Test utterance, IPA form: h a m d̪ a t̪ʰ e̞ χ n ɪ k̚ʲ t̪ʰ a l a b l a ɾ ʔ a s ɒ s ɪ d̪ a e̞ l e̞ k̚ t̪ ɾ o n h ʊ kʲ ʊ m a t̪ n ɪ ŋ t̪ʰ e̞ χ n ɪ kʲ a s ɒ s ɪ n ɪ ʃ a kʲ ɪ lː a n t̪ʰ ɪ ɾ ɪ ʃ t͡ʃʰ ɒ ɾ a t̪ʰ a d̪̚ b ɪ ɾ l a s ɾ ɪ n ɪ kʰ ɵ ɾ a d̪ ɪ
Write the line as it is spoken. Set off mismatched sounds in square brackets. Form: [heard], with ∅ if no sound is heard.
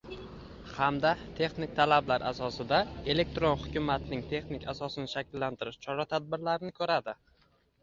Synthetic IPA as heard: h a m d̪ a t̪ʰ e̞ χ n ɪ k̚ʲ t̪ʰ a l a b l a ɾ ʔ a s ɒ s ɪ d̪ a e̞ l e̞ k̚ t̪ ɾ o n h ʊ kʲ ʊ m a t̪ n ɪ ŋ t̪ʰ e̞ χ n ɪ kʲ a s ɒ s ɪ n ɪ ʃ a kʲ ɪ lː a n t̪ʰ ɪ ɾ ɪ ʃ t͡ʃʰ ɒ ɾ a t̪ʰ a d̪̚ b ɪ ɾ l a [∅] ɾ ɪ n ɪ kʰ ɵ ɾ a d̪ ɪ